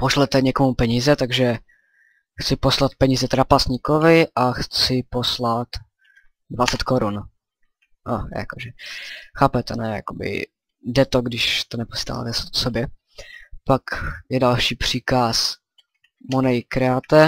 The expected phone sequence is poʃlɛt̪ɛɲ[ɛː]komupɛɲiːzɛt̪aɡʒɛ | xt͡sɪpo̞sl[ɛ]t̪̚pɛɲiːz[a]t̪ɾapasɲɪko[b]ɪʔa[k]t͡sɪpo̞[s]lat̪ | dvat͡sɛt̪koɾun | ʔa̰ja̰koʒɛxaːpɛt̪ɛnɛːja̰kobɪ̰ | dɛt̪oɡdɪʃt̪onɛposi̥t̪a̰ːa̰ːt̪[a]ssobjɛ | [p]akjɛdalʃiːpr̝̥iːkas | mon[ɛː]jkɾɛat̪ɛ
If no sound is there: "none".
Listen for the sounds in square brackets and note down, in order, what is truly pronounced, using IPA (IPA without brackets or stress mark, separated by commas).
ɛ, a, ɛ, v, x, s, ɛ, p, ɛ